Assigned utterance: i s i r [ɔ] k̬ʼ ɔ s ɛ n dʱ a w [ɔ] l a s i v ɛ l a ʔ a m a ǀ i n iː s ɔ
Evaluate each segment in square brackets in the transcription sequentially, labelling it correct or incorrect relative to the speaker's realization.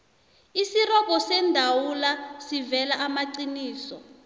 correct, incorrect: u

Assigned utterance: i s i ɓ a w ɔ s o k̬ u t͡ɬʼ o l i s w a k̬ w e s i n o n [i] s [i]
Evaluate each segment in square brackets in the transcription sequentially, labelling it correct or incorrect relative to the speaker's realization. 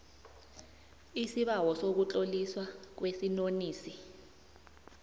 incorrect: iː, correct

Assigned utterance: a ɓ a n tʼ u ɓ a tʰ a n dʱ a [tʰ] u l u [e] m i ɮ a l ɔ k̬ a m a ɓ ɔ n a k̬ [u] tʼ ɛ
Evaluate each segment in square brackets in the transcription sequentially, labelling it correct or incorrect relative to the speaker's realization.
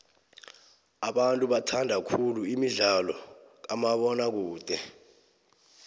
incorrect: kʰ, incorrect: i, incorrect: uː

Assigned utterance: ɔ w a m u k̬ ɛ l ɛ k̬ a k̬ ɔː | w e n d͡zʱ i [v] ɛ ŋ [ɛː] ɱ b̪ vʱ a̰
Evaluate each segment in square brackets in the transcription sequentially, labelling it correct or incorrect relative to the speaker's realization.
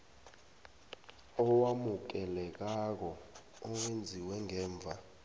incorrect: w, correct

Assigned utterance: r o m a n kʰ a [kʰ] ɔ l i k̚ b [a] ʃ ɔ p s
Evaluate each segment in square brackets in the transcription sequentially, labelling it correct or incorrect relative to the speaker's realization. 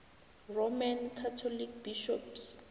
incorrect: tʰ, incorrect: i

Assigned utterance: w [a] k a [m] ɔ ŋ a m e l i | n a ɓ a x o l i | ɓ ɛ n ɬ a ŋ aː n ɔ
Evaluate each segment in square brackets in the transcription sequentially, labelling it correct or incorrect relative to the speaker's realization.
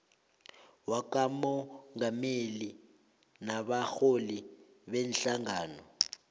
correct, correct

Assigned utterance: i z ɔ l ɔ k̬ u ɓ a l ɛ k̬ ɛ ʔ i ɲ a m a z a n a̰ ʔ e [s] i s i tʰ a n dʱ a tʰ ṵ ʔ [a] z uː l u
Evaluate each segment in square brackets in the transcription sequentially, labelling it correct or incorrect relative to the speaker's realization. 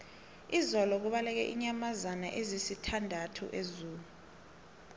incorrect: z, incorrect: e

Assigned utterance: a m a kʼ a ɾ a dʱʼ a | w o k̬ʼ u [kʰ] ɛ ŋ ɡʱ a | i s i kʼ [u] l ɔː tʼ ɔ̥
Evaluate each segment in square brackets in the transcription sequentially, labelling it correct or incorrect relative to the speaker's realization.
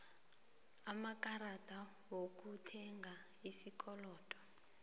incorrect: tʰ, incorrect: ɔ

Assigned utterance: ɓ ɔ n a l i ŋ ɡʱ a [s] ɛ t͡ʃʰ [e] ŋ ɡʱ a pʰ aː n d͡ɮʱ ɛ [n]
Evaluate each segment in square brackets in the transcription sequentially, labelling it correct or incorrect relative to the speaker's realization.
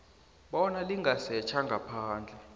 correct, incorrect: a, incorrect: none

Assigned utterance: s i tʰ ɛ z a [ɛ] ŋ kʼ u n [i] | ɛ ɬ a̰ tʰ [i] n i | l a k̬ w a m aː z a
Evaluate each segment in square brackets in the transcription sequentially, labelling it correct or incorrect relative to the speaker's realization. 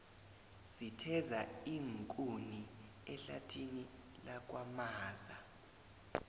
incorrect: i, correct, correct

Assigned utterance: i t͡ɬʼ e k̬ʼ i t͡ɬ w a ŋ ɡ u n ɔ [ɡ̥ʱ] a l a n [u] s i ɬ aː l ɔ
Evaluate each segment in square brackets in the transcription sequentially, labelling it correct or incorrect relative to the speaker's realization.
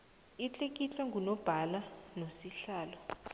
incorrect: b̥ʱ, incorrect: o

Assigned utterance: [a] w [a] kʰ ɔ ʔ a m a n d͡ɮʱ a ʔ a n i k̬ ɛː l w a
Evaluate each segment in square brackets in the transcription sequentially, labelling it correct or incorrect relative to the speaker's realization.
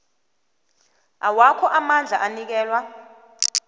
correct, correct

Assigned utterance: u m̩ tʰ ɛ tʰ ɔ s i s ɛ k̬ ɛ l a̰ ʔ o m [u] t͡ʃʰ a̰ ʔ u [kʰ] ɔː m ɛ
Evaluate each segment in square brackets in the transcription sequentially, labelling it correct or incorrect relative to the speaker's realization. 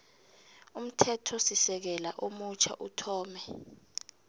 correct, incorrect: tʰ

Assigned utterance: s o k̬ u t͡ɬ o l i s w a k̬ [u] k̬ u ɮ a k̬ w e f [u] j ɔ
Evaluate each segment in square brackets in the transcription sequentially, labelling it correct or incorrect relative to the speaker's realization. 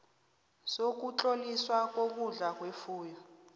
incorrect: o, incorrect: uː

